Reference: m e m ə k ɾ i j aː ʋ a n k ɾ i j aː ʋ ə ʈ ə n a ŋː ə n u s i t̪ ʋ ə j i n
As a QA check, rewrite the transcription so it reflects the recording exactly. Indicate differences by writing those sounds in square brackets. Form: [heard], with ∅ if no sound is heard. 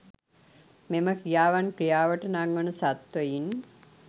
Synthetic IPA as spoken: m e m ə k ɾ i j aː ʋ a n k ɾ i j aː ʋ ə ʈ ə n a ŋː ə n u s [a] t̪ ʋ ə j i n